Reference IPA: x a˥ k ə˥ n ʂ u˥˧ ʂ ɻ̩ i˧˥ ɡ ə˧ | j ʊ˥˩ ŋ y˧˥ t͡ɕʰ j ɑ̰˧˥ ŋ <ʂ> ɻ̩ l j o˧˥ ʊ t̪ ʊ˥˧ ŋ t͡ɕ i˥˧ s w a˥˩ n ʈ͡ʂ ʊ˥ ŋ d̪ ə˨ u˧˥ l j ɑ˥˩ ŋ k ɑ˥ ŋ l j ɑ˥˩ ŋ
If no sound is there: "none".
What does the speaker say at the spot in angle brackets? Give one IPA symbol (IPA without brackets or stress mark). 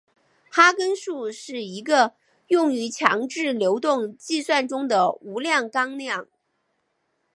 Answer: ʈ͡ʂ